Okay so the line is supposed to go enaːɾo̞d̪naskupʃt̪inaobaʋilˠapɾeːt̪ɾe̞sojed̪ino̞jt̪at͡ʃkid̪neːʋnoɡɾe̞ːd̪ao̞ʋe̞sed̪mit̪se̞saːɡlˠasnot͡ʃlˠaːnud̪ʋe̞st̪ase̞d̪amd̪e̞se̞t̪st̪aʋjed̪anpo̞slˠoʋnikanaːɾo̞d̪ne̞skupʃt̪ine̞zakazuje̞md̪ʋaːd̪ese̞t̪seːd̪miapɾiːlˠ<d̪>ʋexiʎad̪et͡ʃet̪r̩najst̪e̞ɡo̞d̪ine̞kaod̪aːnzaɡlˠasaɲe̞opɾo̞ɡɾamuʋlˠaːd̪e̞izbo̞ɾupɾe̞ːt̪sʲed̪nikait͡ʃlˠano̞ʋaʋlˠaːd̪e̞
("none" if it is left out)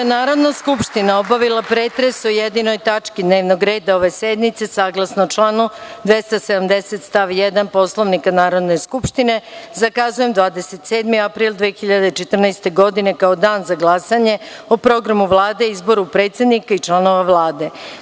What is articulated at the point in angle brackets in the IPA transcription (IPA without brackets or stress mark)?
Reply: d̪